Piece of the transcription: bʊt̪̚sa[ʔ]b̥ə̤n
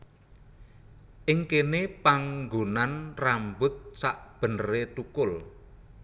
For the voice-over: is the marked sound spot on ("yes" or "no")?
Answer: yes